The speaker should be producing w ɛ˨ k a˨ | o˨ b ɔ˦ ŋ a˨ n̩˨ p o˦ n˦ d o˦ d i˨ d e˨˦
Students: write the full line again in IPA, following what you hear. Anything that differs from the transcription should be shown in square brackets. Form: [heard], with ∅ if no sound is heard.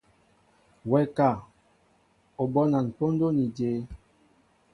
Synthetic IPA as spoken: w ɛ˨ k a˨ | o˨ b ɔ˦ [n] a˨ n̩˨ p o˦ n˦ d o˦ [n] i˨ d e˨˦